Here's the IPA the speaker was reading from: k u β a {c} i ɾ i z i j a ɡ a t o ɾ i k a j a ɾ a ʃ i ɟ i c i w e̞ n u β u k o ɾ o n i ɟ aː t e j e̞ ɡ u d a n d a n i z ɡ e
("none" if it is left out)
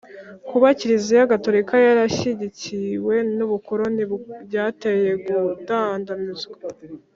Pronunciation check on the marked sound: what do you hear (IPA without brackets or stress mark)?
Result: c